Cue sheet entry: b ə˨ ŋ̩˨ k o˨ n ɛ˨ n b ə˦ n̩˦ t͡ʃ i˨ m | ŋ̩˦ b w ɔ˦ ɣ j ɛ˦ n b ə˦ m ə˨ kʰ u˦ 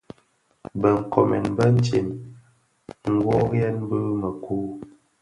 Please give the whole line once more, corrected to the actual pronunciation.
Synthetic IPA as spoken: b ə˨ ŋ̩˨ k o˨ m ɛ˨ n b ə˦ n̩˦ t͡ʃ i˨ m | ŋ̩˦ ɡ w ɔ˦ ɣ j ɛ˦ n b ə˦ m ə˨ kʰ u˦